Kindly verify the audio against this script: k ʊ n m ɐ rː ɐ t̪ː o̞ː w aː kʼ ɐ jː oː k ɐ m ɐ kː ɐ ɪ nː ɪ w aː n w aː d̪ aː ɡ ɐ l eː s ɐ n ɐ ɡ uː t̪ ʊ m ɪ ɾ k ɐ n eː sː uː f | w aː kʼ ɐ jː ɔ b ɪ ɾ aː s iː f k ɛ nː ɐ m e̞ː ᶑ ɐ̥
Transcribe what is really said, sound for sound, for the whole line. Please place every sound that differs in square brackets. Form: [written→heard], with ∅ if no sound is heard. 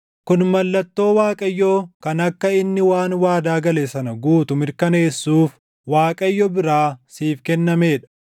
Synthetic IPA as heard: k ʊ n m ɐ [rː→lː] ɐ t̪ː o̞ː w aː kʼ ɐ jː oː k ɐ [m→n] ɐ kː ɐ ɪ nː ɪ w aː n w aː d̪ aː ɡ ɐ l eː s ɐ n ɐ ɡ uː t̪ ʊ m ɪ ɾ k ɐ n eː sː uː f | w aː kʼ ɐ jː ɔ b ɪ ɾ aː s iː f k ɛ nː ɐ m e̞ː ᶑ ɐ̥